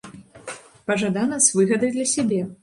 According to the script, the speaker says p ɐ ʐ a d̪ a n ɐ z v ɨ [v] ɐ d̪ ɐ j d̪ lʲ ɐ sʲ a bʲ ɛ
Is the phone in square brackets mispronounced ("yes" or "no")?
yes